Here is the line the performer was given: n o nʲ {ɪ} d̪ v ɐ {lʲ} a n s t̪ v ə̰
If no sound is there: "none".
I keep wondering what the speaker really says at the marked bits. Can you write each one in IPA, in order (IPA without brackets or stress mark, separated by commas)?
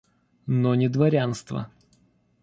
ɪ, ɾʲ